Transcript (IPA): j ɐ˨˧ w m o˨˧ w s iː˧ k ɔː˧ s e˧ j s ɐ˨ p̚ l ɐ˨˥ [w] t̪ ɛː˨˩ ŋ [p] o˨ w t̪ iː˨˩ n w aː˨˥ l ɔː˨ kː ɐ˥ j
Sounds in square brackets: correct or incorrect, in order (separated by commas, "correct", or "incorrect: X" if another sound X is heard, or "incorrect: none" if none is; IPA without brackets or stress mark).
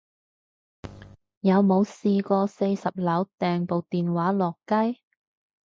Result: correct, correct